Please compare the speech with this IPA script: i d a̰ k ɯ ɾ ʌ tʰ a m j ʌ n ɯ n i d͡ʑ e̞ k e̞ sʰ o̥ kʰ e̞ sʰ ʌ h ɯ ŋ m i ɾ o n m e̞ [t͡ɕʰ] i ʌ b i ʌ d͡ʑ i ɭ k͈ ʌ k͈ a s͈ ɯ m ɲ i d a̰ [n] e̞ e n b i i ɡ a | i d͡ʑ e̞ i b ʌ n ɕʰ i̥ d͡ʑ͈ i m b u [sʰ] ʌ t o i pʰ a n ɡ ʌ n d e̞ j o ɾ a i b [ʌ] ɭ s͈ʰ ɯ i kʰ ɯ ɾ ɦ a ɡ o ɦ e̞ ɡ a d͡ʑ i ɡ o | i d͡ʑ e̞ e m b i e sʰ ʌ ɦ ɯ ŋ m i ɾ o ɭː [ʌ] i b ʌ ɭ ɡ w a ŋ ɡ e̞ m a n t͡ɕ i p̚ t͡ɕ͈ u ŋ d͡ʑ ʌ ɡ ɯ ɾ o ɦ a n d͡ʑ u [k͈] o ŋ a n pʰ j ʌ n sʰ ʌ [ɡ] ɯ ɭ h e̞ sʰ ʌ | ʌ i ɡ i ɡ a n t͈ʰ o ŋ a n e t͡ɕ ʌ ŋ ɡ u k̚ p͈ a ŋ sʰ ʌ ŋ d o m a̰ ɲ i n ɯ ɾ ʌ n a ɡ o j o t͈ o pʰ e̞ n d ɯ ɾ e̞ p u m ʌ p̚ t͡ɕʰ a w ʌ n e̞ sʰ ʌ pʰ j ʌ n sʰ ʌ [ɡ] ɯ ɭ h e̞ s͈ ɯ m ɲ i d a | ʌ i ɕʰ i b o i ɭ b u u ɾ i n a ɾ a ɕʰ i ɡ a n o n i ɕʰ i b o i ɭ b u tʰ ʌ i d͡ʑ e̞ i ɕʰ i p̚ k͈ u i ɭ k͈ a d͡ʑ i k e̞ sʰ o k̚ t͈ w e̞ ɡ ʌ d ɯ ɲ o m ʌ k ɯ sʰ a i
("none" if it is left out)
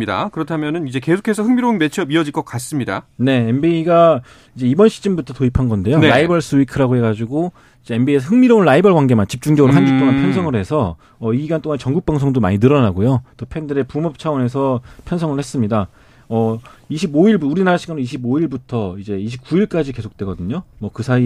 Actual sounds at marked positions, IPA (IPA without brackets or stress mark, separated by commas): t͡ɕʰ, n, tʰ, ʌ, a, t͈, ŋ, ŋ